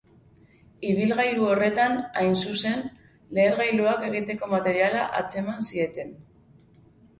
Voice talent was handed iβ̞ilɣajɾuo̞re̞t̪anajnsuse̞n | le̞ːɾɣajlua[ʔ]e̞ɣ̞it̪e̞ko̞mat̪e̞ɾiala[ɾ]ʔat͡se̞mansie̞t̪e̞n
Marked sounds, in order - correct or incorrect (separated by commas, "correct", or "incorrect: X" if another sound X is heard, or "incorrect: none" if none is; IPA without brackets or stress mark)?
incorrect: k, incorrect: none